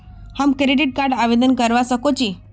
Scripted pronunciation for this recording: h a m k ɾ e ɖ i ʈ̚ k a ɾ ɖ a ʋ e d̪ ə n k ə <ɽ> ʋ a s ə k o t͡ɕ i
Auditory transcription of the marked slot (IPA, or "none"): ɾ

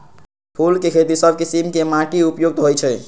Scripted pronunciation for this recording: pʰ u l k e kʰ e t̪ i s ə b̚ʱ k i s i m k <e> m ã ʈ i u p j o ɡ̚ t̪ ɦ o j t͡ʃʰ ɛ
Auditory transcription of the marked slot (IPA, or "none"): e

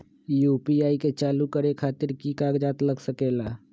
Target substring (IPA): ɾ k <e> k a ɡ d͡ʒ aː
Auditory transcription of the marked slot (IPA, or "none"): i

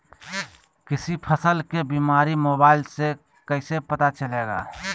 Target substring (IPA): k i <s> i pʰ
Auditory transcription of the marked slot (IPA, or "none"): s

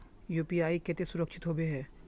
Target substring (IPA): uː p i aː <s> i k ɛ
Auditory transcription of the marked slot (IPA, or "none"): none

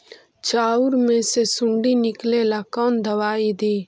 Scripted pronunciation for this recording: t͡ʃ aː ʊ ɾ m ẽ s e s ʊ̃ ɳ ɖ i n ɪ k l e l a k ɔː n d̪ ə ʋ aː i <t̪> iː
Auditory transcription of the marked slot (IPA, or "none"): d̪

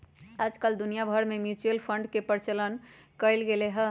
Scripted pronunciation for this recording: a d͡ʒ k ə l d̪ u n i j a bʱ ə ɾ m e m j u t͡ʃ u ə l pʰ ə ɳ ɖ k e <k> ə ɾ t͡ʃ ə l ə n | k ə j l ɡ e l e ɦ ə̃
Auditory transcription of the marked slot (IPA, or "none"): p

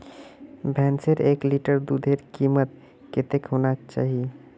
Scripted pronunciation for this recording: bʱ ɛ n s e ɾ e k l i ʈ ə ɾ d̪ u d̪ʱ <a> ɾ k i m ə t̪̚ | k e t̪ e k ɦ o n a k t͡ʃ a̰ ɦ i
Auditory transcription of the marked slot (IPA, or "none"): e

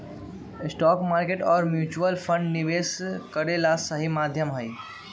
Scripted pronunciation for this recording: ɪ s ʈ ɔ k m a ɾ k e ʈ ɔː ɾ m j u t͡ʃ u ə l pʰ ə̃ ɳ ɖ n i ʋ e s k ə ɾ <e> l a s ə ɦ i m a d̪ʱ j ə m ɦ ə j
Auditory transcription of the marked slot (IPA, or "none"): e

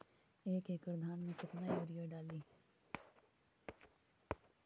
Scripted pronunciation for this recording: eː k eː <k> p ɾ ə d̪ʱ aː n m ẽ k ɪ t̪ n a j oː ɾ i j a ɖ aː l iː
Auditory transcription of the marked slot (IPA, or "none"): k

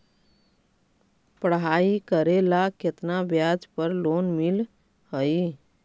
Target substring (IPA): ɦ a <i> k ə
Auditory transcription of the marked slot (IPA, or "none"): i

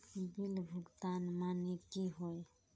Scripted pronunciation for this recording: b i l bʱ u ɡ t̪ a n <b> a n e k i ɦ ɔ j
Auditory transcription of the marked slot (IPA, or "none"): m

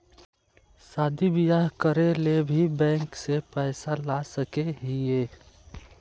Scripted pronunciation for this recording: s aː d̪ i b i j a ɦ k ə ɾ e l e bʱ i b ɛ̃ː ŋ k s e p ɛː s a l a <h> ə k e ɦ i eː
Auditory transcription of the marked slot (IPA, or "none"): s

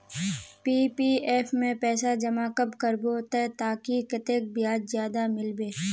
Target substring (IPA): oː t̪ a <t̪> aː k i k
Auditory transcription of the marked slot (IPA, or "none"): t̪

